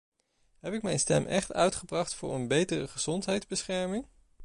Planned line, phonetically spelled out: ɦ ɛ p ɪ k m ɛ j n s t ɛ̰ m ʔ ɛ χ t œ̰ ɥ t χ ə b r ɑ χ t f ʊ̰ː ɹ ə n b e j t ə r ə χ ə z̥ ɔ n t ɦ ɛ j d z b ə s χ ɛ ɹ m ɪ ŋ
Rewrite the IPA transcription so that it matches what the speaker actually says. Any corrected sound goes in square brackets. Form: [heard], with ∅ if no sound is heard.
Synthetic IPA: ɦ ɛ p ɪ k m ɛ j n s t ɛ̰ m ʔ ɛ χ t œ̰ ɥ t χ ə b r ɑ χ t f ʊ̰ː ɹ ə n b e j t ə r ə χ ə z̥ ɔ n t ɦ ɛ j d z b ə s χ ɛ ɹ m ɪ ŋ

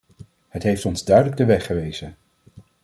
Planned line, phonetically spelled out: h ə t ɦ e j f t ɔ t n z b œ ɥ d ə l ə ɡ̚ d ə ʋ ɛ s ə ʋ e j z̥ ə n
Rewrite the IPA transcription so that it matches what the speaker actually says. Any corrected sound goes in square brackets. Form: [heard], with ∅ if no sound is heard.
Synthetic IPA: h ə t ɦ e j f t ɔ [∅] n z [d] œ ɥ d ə l ə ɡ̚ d ə ʋ ɛ [χ] ə ʋ e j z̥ ə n

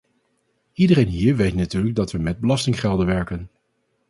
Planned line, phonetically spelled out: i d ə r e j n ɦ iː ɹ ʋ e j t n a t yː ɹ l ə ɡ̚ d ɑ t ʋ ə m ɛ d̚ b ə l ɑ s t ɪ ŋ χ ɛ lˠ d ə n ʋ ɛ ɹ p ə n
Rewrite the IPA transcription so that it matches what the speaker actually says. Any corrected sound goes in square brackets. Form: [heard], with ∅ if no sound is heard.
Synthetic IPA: i d ə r e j n ɦ iː ɹ ʋ e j t n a t yː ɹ l ə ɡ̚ d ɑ t ʋ ə m ɛ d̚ b ə l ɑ s t ɪ ŋ χ ɛ lˠ d ə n ʋ ɛ ɹ [k] ə n

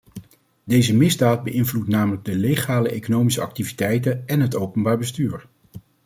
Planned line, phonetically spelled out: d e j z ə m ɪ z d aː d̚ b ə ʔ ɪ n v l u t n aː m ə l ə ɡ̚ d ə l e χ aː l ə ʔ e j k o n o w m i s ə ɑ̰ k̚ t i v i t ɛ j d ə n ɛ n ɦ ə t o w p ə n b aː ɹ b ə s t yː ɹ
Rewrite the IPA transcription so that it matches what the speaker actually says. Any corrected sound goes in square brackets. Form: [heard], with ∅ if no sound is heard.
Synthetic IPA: d e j z ə m ɪ z d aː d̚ b ə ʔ ɪ n v l u t n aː m ə l ə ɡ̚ d ə l e χ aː l ə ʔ e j k o n o w m i s ə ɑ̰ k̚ t i v i t ɛ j [t] ə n ɛ n ɦ ə t o w p ə n b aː ɹ b ə s t yː ɹ

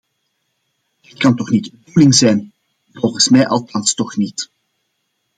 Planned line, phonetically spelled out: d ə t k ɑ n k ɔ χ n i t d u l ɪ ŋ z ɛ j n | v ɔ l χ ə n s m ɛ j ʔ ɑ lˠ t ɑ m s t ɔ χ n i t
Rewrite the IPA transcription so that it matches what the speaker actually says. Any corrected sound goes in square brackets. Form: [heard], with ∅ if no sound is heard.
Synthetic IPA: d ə t k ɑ n [t] ɔ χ n i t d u l ɪ ŋ z ɛ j n | v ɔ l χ ə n s m ɛ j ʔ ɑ lˠ t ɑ [n] s t ɔ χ n i t

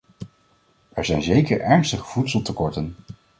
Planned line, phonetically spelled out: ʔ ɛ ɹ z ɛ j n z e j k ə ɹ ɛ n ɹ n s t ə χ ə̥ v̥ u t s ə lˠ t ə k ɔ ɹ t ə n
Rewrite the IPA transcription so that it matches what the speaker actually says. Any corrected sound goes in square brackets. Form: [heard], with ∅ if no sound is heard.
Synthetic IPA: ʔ ɛ ɹ z ɛ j n z e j k ə ɹ ɛ [∅] ɹ n s t ə χ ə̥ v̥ u t s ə lˠ t ə k ɔ ɹ t ə n

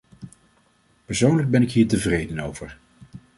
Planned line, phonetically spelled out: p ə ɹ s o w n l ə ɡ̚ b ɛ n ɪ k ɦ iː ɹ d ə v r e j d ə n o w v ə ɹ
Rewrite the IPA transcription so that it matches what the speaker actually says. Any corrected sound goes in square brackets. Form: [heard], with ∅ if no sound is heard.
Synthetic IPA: p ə ɹ s o w n l ə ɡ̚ b ɛ n ɪ k ɦ iː ɹ [t] ə v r e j d ə n o w v ə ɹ

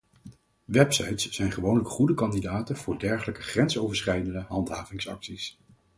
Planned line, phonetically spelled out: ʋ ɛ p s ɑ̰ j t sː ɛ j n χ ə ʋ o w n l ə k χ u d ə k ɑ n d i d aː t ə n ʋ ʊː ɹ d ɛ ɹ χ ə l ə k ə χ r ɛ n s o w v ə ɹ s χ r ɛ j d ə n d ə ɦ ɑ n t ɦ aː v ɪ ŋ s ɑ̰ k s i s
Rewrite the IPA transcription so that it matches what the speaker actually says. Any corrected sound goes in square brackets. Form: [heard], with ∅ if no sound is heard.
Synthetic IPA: ʋ ɛ p s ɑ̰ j t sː ɛ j n χ ə ʋ o w n l ə k χ u d ə k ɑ n d i d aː t ə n [v] ʊː ɹ d ɛ ɹ χ ə l ə k ə χ r ɛ n s o w v ə ɹ s χ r ɛ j d ə n d ə ɦ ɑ n t ɦ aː v ɪ ŋ s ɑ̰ k s i s

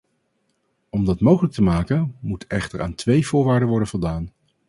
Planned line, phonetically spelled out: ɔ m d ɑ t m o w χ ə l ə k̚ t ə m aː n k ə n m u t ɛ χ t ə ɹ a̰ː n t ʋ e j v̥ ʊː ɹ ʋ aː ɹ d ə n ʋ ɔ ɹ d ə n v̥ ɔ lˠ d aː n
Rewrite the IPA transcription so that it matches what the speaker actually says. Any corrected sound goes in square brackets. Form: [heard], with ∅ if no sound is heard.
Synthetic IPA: ɔ m d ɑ t m o w χ ə l ə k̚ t ə m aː [∅] k ə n m u t ɛ χ t ə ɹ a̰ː n t ʋ e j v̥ ʊː ɹ ʋ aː ɹ d ə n ʋ ɔ ɹ d ə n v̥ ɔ lˠ d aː n

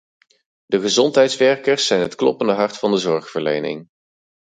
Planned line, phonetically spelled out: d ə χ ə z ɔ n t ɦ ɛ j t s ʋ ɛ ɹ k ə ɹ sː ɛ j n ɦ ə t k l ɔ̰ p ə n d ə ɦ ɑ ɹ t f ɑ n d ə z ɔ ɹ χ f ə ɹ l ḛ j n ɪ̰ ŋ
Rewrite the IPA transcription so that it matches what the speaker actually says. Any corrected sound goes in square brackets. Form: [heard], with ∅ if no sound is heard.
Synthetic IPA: d ə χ ə z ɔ n t ɦ ɛ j t s ʋ ɛ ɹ k ə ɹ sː ɛ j n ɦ ə t k l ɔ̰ p ə n d ə ɦ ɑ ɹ t f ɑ n d ə z ɔ ɹ χ f ə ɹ l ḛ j n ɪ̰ ŋ

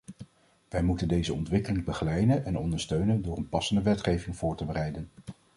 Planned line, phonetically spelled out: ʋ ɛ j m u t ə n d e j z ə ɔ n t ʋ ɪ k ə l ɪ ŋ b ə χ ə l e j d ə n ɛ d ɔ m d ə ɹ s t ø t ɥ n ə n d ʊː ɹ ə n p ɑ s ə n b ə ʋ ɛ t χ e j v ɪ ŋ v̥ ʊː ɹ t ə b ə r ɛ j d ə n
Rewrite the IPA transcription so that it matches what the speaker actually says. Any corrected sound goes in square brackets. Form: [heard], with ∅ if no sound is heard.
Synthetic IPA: ʋ ɛ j m u t ə n d e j z ə ɔ n t ʋ ɪ k ə l ɪ ŋ b ə χ ə l [ɛ] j d ə n ɛ [n] ɔ [n] d ə ɹ s t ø [∅] ɥ n ə n d ʊː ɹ ə n p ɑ s ə n [d] ə ʋ ɛ t χ e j v ɪ ŋ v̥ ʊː ɹ t ə b ə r ɛ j d ə n

